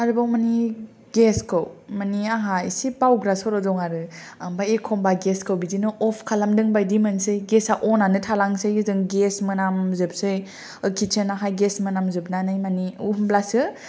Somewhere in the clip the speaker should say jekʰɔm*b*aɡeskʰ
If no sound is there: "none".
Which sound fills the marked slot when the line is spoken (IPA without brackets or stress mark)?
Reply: b